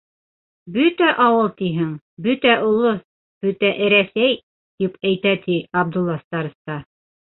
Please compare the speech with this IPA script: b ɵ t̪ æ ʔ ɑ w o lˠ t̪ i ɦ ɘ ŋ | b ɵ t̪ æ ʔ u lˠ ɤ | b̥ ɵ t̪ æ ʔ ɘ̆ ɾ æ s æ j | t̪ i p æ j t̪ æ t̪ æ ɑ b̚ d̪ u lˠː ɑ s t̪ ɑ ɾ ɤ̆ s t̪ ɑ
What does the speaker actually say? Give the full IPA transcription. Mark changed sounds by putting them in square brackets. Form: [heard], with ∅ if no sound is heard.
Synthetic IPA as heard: b ɵ t̪ æ ʔ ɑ w [ɤ] lˠ t̪ i ɦ ɘ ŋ | b ɵ t̪ æ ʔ u lˠ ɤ | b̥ ɵ t̪ æ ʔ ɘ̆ ɾ æ s æ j | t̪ i p æ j t̪ æ t̪ [i] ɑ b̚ d̪ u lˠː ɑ s t̪ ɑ ɾ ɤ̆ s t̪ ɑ